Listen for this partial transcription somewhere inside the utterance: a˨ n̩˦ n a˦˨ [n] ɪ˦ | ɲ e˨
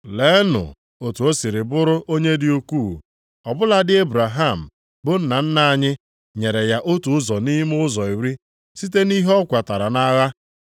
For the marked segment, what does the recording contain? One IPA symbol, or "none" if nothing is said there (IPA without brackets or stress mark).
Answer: ɲ